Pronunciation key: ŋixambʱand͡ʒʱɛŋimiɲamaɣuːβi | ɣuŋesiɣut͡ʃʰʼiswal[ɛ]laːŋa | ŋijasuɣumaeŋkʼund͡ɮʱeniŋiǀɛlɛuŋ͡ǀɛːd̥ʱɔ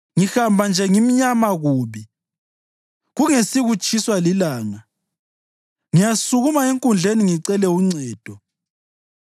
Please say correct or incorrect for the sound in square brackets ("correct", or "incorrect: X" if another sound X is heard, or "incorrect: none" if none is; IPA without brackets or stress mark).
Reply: incorrect: i